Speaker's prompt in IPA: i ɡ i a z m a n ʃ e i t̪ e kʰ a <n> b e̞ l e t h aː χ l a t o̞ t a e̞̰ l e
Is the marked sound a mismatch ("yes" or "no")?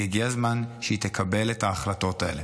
yes